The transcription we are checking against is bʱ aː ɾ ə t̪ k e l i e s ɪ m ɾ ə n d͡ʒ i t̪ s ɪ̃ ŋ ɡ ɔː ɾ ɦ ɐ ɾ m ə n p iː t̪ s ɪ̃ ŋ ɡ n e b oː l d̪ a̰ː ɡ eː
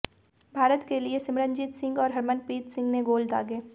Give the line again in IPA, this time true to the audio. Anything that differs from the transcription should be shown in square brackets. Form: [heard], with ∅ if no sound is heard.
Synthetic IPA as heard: bʱ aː ɾ ə t̪ k e l i e s ɪ m ɾ ə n d͡ʒ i t̪ s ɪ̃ ŋ ɡ ɔː ɾ ɦ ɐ ɾ m ə n p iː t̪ s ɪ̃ ŋ ɡ n e [ɡ] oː l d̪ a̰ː ɡ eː